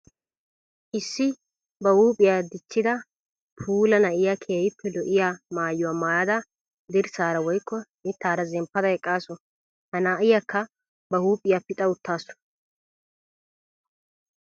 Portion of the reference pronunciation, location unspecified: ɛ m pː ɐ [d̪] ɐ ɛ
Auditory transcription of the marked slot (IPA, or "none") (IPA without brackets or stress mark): d̪